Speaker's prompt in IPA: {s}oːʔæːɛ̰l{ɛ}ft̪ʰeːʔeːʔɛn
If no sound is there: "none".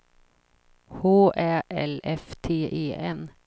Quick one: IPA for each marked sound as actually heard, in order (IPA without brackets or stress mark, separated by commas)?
h, ɛ